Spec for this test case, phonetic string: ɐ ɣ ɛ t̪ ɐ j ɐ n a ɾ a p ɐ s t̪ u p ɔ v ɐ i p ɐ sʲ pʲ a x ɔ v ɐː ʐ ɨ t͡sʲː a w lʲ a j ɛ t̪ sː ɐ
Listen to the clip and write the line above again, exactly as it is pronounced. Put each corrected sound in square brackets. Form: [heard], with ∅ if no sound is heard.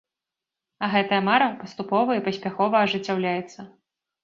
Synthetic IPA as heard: ɐ ɣ ɛ t̪ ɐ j ɐ [m] a ɾ [ɐ] p ɐ s t̪ u p ɔ v ɐ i p ɐ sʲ pʲ a x ɔ v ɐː ʐ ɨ t͡sʲː a w lʲ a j ɛ t̪ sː ɐ